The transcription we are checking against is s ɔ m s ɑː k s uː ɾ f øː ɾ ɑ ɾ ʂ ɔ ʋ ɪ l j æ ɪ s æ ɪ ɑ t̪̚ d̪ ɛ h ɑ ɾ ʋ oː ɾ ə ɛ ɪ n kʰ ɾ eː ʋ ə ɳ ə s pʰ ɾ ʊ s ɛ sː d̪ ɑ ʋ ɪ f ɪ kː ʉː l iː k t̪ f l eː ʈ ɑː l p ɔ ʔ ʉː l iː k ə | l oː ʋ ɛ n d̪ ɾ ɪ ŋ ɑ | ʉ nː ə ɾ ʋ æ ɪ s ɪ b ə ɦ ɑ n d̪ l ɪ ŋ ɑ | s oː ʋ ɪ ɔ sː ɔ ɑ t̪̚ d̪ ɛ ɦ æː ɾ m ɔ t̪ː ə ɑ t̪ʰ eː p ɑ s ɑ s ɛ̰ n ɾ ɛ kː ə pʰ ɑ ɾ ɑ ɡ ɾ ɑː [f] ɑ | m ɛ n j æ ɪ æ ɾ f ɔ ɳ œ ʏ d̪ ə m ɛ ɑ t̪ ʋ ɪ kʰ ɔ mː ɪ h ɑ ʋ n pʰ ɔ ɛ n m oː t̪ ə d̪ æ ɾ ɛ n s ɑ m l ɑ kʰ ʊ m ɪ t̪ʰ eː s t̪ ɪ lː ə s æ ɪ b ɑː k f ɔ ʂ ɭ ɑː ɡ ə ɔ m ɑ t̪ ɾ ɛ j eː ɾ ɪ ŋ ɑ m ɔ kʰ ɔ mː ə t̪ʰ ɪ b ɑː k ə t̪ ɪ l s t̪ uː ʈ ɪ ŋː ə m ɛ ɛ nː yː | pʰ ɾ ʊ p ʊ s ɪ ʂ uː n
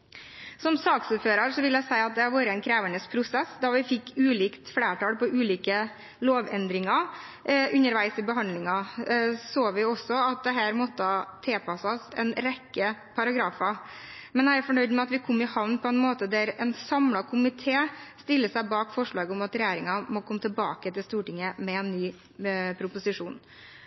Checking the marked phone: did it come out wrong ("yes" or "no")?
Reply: no